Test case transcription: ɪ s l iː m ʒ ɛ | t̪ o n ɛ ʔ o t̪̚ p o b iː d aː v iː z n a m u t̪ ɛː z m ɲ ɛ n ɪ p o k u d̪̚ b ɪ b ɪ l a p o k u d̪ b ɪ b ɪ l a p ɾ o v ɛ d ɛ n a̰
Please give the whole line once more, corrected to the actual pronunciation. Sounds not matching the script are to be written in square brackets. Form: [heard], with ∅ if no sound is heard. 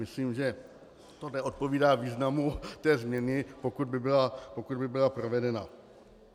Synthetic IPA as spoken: ɪ s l iː m ʒ ɛ | t̪ o n ɛ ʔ o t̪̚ p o [v] iː d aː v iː z n a m u t̪ ɛː z m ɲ ɛ n ɪ p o k u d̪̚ b ɪ b ɪ l a p o k u d̪ b ɪ b ɪ l a p ɾ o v ɛ d ɛ n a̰